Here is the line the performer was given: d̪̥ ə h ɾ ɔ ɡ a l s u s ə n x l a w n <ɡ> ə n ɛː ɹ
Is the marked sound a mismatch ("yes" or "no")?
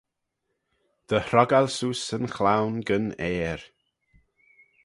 no